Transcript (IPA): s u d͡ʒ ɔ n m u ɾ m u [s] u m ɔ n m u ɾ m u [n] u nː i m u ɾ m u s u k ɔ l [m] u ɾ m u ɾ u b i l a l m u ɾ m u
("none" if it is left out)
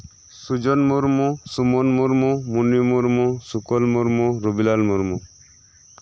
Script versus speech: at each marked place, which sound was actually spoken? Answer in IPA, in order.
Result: s, m, m

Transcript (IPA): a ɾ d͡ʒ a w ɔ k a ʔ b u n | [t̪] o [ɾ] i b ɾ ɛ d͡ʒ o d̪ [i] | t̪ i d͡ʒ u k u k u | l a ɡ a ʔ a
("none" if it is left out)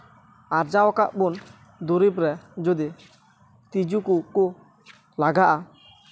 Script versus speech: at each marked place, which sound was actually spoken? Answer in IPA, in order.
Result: d̪, ɾ, i

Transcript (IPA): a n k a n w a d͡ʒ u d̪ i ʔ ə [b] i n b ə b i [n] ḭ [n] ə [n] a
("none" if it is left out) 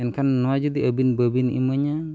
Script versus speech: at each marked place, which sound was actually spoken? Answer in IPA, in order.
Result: b, n, m, ɲ

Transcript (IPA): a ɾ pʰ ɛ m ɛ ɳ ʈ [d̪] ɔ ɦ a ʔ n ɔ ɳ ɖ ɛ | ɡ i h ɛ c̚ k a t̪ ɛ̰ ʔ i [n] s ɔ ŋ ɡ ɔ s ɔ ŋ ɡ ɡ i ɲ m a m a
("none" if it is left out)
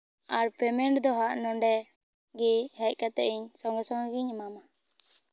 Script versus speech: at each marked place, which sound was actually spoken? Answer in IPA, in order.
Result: d̪, ɲ

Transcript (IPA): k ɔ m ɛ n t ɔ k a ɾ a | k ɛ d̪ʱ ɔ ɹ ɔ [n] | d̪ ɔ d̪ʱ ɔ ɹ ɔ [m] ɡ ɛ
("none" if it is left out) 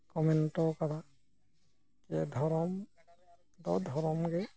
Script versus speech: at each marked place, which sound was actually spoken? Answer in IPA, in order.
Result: m, m

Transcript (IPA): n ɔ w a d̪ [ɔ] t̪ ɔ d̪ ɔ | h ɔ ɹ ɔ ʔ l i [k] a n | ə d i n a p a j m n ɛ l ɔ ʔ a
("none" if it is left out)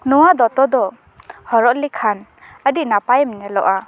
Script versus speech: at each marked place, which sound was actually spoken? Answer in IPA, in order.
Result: ɔ, kʰ

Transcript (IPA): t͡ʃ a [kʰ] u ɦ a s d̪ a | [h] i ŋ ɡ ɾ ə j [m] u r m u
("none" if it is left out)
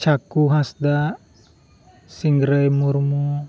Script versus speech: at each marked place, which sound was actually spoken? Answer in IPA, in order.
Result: k, s, m

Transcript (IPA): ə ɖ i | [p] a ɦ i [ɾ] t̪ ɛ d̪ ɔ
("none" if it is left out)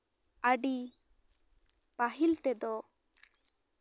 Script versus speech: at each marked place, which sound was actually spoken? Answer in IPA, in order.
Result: p, l

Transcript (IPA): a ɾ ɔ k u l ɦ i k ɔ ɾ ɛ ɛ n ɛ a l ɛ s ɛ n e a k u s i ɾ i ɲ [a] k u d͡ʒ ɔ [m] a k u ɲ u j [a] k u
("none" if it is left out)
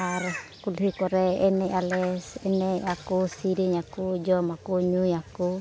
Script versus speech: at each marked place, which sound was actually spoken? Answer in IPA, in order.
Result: a, m, a

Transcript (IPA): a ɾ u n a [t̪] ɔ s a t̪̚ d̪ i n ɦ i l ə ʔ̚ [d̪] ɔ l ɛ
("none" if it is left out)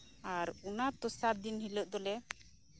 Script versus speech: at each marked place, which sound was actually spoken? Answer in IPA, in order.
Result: t̪, d̪

